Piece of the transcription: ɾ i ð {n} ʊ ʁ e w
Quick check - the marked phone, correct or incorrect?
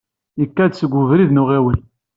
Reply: correct